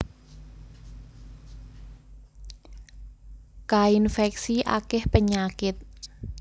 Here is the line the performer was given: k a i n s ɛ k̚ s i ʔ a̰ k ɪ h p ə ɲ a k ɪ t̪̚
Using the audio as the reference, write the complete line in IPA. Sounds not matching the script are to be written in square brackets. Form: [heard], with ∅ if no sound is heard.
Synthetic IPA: k a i n [f] ɛ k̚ s i ʔ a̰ k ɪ h p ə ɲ a k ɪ t̪̚